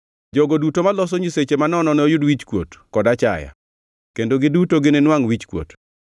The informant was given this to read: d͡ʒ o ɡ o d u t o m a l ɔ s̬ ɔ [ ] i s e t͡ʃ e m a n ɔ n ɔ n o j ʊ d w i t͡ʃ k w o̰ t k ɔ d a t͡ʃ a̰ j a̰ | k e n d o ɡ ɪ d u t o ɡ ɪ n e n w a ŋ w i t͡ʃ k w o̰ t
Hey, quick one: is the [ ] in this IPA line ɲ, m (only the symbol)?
ɲ